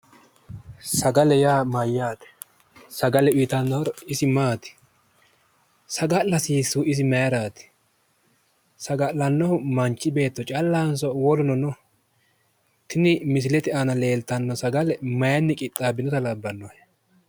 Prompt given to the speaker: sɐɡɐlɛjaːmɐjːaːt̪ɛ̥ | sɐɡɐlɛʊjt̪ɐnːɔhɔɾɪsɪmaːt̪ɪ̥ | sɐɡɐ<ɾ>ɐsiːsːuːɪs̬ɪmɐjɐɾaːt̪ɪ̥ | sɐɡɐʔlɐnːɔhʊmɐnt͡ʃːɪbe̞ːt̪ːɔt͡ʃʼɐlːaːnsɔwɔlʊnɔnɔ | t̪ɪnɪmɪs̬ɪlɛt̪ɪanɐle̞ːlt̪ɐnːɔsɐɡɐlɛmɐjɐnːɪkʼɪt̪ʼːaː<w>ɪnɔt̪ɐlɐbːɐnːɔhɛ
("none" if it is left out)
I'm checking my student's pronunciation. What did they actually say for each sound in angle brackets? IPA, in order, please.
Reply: l, b

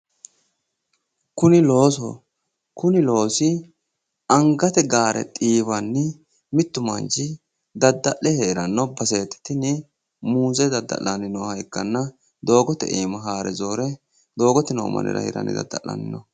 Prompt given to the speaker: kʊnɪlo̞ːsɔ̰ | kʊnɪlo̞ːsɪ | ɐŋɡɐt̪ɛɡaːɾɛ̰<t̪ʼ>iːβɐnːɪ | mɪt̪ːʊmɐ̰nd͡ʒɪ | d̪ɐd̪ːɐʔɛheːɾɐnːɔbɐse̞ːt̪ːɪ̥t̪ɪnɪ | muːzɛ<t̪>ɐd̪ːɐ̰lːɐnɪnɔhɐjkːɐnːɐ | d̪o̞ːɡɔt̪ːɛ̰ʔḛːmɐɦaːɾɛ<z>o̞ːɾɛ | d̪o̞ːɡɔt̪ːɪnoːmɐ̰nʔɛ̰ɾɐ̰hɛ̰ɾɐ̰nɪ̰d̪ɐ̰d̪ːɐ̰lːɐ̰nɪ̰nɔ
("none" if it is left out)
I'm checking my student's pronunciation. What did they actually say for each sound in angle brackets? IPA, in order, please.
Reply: t̪ʼ, d̪, z

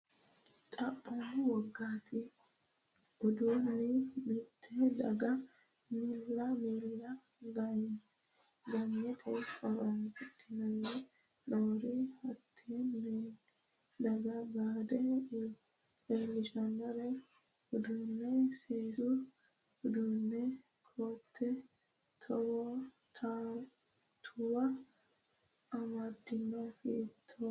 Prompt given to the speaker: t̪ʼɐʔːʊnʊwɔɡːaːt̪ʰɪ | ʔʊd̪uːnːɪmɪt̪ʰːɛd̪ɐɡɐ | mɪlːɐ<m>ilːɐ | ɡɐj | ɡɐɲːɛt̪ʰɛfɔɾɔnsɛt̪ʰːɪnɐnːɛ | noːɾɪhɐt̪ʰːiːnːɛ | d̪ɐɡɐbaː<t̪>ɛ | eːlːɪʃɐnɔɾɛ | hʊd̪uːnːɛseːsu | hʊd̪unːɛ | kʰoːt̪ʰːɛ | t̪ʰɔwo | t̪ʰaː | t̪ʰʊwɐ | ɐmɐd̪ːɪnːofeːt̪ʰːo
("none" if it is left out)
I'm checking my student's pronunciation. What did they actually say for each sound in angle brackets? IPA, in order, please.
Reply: m, d̪

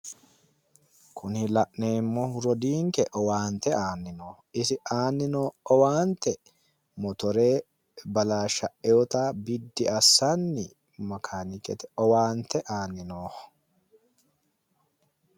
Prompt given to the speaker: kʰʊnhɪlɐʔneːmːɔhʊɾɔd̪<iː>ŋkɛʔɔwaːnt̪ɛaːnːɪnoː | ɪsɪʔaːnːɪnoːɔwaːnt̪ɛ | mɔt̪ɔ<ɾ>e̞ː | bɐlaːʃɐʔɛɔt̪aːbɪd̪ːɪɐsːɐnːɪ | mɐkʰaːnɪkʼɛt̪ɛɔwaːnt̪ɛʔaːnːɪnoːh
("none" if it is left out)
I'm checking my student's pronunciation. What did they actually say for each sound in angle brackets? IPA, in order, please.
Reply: iː, ɾ

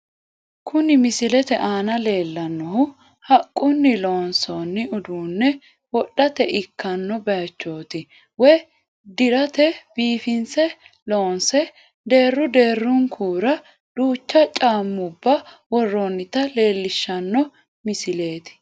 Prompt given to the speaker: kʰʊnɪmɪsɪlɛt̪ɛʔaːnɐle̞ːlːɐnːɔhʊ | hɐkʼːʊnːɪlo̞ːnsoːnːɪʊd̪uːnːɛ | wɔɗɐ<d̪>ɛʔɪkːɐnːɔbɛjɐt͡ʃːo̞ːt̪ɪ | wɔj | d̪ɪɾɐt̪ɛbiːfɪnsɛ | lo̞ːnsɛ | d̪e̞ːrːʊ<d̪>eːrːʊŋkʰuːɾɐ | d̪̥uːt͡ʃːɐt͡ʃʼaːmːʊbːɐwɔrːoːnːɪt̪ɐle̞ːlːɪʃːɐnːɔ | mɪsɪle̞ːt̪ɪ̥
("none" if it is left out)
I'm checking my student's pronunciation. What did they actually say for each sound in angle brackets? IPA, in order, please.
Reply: t̪, d̪

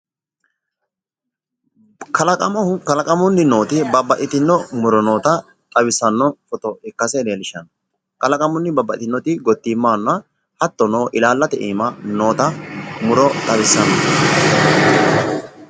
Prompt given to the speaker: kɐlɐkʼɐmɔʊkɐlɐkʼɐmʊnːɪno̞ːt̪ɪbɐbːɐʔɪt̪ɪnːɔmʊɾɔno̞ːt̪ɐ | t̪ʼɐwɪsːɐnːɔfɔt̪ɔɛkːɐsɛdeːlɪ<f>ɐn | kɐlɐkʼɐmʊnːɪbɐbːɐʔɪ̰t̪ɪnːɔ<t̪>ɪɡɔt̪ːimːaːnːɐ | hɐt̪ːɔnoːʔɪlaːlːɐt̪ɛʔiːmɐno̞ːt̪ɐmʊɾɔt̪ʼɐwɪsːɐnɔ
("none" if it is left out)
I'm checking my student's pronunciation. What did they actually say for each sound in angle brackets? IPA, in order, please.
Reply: ʃ, t̪

